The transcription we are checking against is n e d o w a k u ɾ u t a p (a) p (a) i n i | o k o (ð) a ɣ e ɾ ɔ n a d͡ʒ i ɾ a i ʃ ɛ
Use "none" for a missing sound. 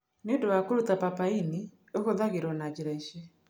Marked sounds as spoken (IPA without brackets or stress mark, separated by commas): a, a, ð